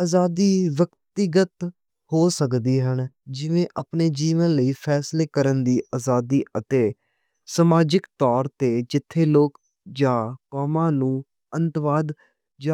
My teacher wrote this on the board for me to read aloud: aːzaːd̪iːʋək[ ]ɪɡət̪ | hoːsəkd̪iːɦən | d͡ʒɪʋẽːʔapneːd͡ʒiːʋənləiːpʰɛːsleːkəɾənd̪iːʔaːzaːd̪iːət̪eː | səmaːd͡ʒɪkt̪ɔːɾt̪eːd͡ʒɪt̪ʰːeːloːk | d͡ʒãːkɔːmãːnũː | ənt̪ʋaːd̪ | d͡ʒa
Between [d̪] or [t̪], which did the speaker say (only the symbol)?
t̪